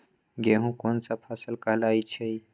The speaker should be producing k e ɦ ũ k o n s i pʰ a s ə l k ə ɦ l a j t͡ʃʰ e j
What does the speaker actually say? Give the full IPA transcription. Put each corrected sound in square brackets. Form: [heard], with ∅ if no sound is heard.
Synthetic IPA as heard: [ɡ] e ɦ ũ k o n s [a] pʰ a s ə l k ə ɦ l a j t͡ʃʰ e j